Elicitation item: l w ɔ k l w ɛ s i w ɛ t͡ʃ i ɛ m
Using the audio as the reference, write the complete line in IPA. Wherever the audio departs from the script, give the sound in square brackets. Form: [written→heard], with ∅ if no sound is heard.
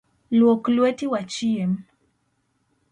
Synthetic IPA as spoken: l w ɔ k l w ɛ [s→t] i w [ɛ→a] t͡ʃ i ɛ m